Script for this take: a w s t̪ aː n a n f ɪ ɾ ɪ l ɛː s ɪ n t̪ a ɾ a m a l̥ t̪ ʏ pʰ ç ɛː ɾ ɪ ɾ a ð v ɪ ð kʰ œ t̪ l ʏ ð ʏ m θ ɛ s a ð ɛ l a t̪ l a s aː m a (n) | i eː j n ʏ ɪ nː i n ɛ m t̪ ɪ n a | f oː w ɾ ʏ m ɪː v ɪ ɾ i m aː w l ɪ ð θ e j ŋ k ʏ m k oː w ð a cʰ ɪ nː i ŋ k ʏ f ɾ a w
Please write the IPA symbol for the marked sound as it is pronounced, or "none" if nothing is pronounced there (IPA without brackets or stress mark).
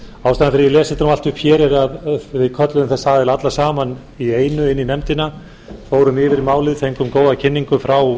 n